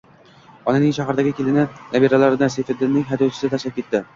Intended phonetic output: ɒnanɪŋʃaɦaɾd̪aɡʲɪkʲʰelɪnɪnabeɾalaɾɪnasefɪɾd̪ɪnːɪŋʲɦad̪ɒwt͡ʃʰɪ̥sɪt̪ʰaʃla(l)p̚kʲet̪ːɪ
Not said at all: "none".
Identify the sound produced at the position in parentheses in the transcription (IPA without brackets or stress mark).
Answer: none